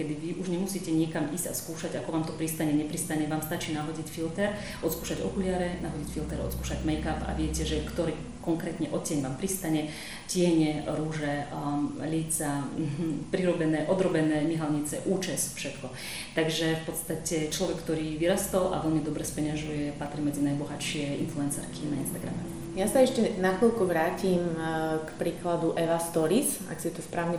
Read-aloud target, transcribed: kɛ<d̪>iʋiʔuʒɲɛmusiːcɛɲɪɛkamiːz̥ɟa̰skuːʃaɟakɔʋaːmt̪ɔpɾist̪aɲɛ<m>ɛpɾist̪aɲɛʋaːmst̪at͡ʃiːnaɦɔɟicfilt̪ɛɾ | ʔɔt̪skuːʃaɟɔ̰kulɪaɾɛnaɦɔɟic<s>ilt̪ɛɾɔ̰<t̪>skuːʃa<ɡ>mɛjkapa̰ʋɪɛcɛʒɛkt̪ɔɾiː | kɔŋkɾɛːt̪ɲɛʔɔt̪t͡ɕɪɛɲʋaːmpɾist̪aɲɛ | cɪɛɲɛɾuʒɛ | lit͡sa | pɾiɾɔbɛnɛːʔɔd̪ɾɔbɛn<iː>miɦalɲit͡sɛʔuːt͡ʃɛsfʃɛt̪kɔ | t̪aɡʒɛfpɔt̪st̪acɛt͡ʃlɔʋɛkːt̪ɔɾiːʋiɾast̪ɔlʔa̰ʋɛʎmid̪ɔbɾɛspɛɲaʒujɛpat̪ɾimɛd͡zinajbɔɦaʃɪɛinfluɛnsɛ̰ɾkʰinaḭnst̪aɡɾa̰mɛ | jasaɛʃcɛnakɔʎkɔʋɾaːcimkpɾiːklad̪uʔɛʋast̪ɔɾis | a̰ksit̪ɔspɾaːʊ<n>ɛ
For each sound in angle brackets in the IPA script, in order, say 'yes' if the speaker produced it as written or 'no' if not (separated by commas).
yes, no, no, yes, no, no, no